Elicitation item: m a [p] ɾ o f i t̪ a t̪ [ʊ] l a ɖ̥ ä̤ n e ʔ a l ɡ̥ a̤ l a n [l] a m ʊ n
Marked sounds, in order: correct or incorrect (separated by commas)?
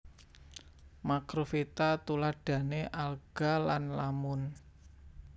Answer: incorrect, incorrect, correct